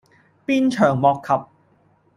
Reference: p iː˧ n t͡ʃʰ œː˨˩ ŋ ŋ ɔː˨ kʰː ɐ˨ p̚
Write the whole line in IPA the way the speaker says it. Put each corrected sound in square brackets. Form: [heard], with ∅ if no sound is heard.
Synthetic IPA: p [iː˥] n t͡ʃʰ œː˨˩ ŋ [m] ɔː˨ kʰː ɐ˨ p̚